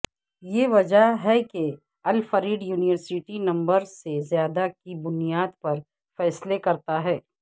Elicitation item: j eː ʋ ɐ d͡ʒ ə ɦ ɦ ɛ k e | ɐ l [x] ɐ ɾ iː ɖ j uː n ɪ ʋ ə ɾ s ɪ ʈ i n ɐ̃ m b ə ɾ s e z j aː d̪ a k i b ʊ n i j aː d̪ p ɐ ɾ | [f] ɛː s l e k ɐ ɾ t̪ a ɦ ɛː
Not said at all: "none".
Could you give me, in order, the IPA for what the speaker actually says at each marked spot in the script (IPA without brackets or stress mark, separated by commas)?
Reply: f, f